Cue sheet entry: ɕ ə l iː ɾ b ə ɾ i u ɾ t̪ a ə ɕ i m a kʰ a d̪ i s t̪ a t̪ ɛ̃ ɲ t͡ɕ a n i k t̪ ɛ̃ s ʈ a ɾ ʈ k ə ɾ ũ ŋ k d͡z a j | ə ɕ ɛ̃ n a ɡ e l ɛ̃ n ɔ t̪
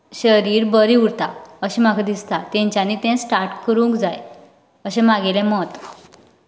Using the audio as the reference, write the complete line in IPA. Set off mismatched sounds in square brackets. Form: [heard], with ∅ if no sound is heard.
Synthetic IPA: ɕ ə [ɾ] iː ɾ b ə ɾ i u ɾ t̪ a ə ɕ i m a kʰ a d̪ i s t̪ a t̪ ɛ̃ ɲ t͡ɕ a n i [∅] t̪ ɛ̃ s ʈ a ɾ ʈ k ə ɾ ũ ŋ k d͡z a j | ə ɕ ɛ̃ [m] a ɡ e l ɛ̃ [m] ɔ t̪